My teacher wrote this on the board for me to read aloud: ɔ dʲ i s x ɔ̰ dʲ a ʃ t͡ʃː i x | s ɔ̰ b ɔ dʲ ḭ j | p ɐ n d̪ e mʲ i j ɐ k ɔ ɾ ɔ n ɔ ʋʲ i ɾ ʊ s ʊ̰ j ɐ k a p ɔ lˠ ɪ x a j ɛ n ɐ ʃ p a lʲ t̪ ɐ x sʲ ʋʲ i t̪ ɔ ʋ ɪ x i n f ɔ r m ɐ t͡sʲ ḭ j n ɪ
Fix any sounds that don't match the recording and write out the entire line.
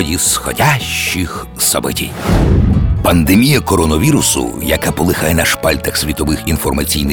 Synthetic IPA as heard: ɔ dʲ i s x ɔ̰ dʲ a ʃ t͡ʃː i x | s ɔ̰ b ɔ tʲ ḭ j | p ɐ n d̪ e mʲ i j ɐ k ɔ ɾ ɔ n ɔ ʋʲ i ɾ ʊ s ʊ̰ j ɐ k a p ɔ lˠ ɪ x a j ɛ n ɐ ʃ p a lʲ t̪ ɐ x sʲ ʋʲ i t̪ ɔ ʋ ɪ x i n f ɔ r m ɐ t͡sʲ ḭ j n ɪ